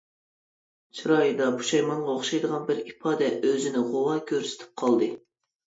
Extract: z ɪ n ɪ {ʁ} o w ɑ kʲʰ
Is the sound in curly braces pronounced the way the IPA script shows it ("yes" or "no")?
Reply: yes